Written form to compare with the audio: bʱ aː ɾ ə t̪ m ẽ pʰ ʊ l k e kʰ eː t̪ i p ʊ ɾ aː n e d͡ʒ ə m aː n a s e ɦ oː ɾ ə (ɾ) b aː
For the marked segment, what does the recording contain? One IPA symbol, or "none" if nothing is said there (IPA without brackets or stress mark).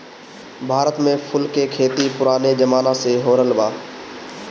l